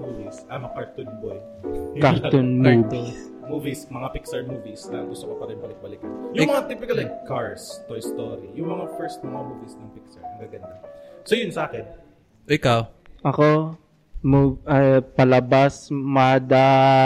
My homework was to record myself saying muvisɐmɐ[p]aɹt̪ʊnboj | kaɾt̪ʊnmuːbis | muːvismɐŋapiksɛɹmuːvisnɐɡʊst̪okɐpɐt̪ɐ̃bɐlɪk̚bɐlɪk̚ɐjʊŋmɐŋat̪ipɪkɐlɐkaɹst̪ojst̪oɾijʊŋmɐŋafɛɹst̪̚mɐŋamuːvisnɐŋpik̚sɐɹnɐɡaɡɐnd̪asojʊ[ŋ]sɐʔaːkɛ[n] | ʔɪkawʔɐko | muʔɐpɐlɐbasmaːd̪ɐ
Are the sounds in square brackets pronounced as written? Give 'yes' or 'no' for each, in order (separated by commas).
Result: no, no, yes